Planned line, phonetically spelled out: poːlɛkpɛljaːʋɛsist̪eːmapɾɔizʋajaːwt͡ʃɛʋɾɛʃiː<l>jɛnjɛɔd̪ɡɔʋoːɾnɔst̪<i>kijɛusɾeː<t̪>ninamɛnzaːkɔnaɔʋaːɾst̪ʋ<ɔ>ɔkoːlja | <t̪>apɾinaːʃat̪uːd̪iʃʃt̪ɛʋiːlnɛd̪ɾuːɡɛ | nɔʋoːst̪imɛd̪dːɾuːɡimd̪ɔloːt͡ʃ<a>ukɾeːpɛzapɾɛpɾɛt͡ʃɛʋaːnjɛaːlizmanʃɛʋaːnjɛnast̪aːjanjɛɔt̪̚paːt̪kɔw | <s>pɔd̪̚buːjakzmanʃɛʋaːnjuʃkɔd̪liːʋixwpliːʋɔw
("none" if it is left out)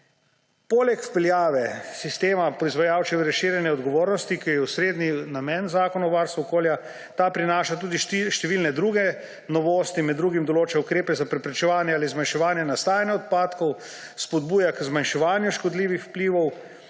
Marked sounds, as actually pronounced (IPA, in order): ɾ, i, d̪, u, t̪, ɛ, s

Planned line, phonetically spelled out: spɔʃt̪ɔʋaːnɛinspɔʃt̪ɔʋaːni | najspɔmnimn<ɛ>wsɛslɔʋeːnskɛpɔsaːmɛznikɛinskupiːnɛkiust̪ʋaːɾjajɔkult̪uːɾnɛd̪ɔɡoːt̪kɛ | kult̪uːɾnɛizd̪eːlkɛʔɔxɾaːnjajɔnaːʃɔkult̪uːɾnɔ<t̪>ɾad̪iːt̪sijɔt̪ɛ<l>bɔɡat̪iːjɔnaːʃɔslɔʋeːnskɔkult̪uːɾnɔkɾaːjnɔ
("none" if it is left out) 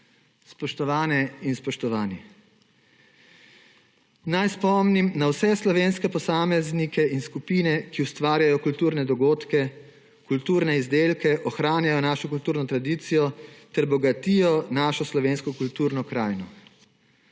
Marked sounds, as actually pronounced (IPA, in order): a, t̪, ɾ

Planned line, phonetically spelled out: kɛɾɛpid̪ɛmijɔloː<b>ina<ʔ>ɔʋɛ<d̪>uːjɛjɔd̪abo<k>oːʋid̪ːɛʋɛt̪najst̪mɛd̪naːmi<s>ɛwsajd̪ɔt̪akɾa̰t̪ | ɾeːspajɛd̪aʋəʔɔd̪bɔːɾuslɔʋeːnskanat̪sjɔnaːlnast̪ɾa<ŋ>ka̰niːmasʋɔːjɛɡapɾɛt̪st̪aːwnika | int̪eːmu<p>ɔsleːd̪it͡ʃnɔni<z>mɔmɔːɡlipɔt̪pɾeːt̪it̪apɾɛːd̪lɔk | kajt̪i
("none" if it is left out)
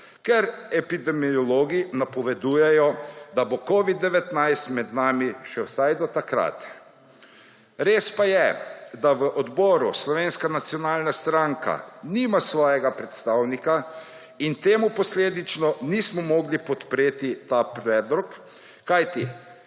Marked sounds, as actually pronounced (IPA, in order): ɡ, p, d̪, k, ʃ, ŋ, p, s

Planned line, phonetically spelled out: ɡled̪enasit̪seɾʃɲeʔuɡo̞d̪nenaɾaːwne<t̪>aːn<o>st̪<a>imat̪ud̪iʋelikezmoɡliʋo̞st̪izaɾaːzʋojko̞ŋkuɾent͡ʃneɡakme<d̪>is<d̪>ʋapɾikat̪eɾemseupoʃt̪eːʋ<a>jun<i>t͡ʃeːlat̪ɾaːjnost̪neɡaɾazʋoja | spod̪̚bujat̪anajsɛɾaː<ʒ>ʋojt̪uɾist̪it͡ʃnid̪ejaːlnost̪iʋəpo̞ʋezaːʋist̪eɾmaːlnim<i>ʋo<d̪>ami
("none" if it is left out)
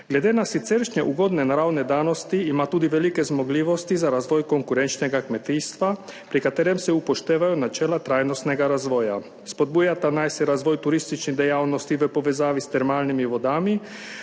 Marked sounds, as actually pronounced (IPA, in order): d̪, o, i, t̪, t̪, a, a, z, i, d̪

